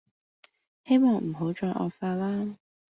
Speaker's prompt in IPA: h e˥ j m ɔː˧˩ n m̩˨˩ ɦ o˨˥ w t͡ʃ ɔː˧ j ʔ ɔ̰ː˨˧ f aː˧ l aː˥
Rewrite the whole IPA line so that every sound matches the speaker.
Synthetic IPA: h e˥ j m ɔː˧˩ ŋ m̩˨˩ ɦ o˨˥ w t͡ʃ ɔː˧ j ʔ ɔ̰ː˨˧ f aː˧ l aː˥